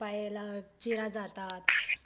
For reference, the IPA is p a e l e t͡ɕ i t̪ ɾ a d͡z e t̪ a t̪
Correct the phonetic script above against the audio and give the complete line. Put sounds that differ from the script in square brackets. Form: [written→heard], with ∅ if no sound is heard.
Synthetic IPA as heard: p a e l [e→a] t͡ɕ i [t̪→∅] ɾ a d͡z [e→a] t̪ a t̪